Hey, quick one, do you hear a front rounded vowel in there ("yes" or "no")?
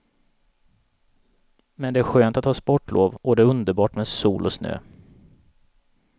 yes